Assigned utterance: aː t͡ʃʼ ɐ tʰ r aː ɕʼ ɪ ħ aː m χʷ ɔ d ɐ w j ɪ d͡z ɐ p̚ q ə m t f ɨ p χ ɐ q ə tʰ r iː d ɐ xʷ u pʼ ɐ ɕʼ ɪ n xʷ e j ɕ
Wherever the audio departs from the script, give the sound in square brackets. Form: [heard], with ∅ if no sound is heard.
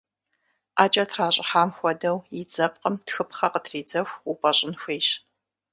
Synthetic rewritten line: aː t͡ʃʼ ɐ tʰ r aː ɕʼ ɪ ħ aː m [xʷ] ɔ d ɐ w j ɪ d͡z ɐ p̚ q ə m t [x] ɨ p χ ɐ q ə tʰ r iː [d͡z] ɐ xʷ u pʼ ɐ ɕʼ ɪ n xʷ e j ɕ